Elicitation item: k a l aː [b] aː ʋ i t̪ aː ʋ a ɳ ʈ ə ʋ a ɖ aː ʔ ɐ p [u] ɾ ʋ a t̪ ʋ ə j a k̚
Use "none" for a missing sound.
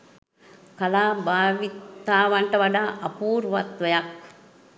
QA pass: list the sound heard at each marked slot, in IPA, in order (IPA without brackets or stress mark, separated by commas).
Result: b, uː